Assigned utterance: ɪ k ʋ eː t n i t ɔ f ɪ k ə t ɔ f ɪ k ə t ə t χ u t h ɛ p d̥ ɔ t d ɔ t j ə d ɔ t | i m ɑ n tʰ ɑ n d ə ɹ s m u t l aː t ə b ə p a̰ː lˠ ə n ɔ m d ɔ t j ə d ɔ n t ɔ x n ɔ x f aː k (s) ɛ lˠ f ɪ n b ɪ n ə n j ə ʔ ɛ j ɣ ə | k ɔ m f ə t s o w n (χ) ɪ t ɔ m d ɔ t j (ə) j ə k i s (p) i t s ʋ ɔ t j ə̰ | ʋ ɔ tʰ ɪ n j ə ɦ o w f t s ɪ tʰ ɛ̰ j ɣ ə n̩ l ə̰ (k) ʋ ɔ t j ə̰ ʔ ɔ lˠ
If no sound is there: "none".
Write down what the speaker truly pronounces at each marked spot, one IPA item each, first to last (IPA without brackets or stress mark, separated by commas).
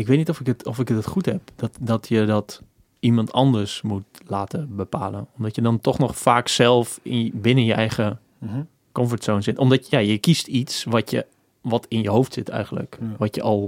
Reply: s, s, a, t, k